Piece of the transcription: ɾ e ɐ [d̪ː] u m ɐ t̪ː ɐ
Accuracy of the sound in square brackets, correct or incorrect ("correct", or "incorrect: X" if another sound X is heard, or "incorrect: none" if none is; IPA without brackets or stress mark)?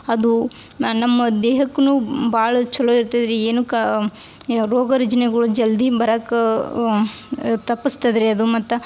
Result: incorrect: d̪